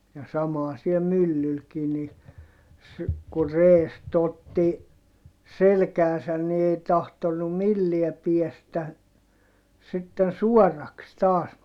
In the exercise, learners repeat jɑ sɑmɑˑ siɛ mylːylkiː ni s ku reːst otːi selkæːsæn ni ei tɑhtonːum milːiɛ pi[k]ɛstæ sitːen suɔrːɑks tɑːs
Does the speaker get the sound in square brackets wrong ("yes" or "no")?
yes